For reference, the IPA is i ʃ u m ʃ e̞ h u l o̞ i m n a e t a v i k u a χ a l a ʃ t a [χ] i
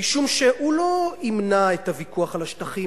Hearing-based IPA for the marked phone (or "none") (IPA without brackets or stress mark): χ